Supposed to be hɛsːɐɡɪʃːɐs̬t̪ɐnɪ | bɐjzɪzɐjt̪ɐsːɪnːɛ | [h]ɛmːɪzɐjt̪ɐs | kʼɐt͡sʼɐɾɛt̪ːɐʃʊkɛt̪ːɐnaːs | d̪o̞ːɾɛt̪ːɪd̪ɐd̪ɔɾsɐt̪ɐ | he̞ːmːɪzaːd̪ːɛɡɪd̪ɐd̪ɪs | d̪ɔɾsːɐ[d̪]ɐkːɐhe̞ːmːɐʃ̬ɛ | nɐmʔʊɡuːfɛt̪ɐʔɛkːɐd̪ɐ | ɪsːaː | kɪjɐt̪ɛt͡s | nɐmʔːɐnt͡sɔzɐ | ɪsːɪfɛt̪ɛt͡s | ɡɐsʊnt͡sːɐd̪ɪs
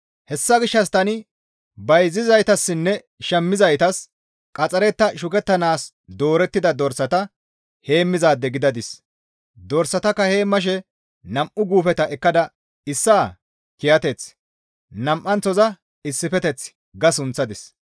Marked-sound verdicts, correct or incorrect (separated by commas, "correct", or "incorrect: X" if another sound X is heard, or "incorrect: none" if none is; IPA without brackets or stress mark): incorrect: ʃ, incorrect: t̪